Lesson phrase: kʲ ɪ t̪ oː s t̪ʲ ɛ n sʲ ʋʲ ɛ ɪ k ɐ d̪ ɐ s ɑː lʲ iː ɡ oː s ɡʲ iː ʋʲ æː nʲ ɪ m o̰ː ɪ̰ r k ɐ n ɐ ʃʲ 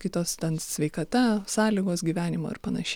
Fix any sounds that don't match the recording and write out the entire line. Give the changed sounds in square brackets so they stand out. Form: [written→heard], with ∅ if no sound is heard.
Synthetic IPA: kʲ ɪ t̪ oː s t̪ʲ ɛ n sʲ ʋʲ ɛ ɪ k ɐ [d̪→t̪] ɐ s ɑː lʲ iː ɡ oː s ɡʲ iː ʋʲ æː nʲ ɪ m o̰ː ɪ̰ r [k→p] ɐ n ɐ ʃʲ